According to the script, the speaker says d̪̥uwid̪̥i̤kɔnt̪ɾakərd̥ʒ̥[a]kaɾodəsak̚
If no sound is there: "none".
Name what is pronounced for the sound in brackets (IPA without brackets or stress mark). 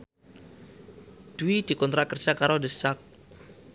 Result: a